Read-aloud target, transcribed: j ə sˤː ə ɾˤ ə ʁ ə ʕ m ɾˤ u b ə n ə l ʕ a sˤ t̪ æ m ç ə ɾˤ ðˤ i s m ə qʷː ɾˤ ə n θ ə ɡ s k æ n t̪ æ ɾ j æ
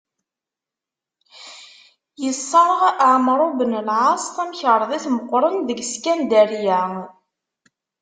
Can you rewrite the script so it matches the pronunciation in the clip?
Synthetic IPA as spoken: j ə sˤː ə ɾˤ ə ʁ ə ʕ m ɾˤ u b ə n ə l ʕ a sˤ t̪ æ m ç ə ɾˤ ðˤ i θ m ə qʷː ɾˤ ə n ð ə ɡ s k æ n d̪ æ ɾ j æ

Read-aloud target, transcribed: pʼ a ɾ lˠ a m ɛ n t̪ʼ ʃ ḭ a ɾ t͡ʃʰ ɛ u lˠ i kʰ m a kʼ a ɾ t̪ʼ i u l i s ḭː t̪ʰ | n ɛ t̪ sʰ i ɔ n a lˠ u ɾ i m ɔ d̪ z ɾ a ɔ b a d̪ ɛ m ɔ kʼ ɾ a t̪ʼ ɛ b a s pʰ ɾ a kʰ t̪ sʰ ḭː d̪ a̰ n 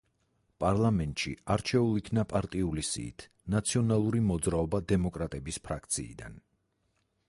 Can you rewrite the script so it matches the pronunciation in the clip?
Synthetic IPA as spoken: pʼ a ɾ lˠ a m ɛ n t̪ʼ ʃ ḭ a ɾ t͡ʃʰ ɛ u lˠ i kʰ n a pʼ a ɾ t̪ʼ i u l i s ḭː t̪ʰ | n a t̪ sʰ i ɔ n a lˠ u ɾ i m ɔ d̪ z ɾ a ɔ b a d̪ ɛ m ɔ kʼ ɾ a t̪ʼ ɛ b i s pʰ ɾ a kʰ t̪ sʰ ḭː d̪ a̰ n

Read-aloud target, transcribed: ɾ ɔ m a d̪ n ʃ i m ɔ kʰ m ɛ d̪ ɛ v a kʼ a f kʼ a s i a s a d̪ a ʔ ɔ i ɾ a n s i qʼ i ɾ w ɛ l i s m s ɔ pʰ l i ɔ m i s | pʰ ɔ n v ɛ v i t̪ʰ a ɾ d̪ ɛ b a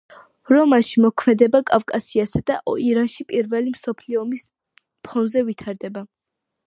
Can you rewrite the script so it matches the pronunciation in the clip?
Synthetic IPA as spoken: ɾ ɔ m a n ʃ i m ɔ kʰ m ɛ d̪ ɛ b a kʼ a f kʼ a s i a s a d̪ a ʔ ɔ i ɾ a n ʃ i pʼ i ɾ v ɛ l i m s ɔ pʰ l i ɔ m i s | pʰ ɔ n z ɛ v i t̪ʰ a ɾ d̪ ɛ b a

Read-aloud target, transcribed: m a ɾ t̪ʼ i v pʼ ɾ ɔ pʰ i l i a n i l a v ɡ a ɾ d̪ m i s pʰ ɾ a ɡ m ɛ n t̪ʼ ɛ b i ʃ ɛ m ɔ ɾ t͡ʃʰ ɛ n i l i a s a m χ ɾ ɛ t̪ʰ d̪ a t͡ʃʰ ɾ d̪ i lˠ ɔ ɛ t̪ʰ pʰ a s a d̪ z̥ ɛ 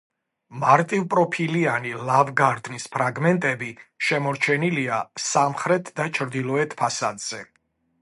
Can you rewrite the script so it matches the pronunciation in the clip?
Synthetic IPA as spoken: m a ɾ t̪ʼ i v pʼ ɾ ɔ pʰ i l i a n i l a v ɡ a ɾ d̪ n i s pʰ ɾ a ɡ m ɛ n t̪ʼ ɛ b i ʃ ɛ m ɔ ɾ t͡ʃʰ ɛ n i l i a s a m χ ɾ ɛ t̪ʰ d̪ a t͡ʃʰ ɾ d̪ i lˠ ɔ ɛ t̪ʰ pʰ a s a d̪ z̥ ɛ

